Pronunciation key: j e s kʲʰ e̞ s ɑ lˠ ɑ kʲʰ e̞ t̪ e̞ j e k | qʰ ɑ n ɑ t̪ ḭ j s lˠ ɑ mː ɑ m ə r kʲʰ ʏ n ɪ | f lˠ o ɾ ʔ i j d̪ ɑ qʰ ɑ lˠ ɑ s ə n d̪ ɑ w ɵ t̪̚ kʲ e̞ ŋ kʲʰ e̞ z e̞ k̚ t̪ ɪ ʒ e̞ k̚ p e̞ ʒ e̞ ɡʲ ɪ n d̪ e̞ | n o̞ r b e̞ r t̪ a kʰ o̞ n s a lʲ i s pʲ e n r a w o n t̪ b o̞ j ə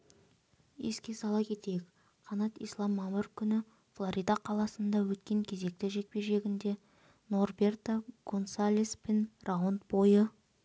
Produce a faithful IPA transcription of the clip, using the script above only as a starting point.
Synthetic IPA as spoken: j e s kʲ e̞ s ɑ lˠ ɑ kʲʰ e̞ t̪ e̞ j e k | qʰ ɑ n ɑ t̪ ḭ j s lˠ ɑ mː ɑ m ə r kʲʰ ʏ n ɪ | f lˠ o ɾ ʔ i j d̪ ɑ qʰ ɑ lˠ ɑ s ə n d̪ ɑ w ɵ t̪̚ kʲ e̞ ŋ kʲʰ e̞ z e̞ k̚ t̪ ɪ ʒ e̞ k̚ p e̞ ʒ e̞ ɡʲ ɪ n d̪ e̞ | n o̞ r b e̞ r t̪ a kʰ o̞ n s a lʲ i s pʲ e n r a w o n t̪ b o̞ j ə